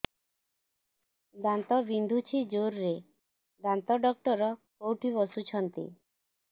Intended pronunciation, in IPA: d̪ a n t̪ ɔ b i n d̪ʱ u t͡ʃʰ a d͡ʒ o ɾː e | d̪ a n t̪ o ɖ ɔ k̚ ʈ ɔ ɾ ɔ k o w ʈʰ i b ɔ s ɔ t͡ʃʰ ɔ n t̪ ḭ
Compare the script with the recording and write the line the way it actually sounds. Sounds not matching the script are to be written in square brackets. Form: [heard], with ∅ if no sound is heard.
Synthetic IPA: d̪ a n t̪ ɔ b i n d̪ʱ u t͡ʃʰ [i] d͡ʒ o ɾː e | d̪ a n t̪ [ɔ] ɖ ɔ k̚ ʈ ɔ ɾ ɔ k o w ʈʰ i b ɔ s [u] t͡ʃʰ ɔ n t̪ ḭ